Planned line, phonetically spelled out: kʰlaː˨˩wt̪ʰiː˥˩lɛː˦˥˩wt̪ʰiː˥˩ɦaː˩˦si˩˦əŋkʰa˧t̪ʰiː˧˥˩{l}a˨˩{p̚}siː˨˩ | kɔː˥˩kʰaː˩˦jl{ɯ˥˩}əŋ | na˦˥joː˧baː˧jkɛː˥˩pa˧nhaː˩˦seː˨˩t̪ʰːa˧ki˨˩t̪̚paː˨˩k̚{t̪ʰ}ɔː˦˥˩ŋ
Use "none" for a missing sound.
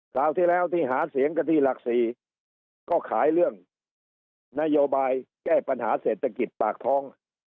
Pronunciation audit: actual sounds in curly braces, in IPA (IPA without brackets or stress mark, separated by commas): l, k̚, ɯ˥˩, t̪ʰ